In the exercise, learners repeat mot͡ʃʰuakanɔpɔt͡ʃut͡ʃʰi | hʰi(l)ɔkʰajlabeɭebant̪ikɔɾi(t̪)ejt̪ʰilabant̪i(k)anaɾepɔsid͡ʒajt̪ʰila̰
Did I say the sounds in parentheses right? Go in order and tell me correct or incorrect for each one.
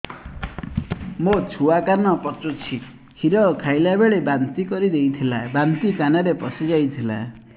incorrect: ɾ, incorrect: d̪, correct

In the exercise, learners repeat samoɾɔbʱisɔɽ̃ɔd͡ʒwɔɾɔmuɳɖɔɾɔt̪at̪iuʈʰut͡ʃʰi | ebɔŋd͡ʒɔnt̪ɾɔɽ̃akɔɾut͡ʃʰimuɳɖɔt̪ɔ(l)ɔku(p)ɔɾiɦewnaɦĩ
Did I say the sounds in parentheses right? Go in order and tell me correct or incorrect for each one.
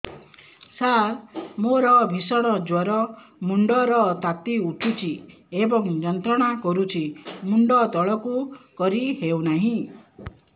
incorrect: ɭ, incorrect: k

